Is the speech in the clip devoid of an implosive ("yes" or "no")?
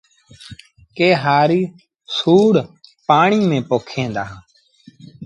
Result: yes